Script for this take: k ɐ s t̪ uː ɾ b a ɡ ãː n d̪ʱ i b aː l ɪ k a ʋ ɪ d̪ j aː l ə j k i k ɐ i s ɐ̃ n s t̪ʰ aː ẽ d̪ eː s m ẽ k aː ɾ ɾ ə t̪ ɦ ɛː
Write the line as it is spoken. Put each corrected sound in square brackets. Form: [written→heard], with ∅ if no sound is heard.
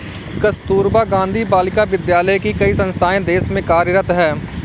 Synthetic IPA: k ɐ s t̪ uː ɾ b a ɡ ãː n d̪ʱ i b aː l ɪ k a ʋ ɪ d̪ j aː l ə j k i k ɐ i s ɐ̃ n s t̪ʰ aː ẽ d̪ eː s m ẽ k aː ɾ ɾ ə t̪ ɦ ɛː